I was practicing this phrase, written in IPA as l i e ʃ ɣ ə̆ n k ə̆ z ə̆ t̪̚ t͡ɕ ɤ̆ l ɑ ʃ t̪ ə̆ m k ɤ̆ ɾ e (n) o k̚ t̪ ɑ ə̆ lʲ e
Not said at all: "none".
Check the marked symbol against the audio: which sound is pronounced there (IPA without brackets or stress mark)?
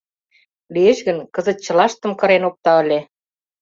n